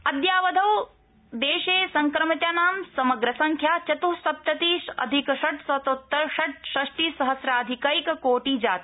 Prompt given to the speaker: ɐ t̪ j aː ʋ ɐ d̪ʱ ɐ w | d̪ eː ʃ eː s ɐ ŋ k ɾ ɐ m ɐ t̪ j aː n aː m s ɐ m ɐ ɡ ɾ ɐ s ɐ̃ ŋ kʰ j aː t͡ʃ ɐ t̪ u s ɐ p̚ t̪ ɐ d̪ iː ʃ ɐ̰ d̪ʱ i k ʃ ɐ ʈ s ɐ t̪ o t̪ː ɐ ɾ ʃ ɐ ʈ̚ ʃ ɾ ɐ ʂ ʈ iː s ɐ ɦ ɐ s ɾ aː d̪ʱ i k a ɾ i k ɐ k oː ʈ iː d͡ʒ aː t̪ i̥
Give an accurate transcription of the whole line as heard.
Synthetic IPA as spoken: ɐ d̪ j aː ʋ ɐ d̪ʱ ɐ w | d̪ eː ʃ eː s ɐ ŋ k ɾ ɐ m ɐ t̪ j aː n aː m s ɐ m ɐ ɡ ɾ ɐ s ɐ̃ ŋ kʰ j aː t͡ʃ ɐ t̪ u s ɐ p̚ t̪ ɐ t̪ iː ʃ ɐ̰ d̪ʱ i k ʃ ɐ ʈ s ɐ t̪ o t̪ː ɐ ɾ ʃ ɐ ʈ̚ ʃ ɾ ɐ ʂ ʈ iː s ɐ ɦ ɐ s ɾ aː d̪ʱ i k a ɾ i k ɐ k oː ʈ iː d͡ʒ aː t̪ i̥